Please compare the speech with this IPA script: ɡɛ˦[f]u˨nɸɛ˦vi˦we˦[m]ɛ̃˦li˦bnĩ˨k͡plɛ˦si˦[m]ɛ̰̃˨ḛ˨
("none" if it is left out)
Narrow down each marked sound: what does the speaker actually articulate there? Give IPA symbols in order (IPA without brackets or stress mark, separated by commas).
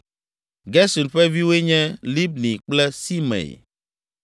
s, ɲ, m